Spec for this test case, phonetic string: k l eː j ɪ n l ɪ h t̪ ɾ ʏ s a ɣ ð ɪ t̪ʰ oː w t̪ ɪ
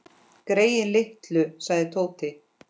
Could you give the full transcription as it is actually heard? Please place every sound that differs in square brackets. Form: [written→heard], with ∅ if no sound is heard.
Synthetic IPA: k [l→ɾ] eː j ɪ n l ɪ h t̪ [ɾ→l] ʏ s a ɣ ð ɪ t̪ʰ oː w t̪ ɪ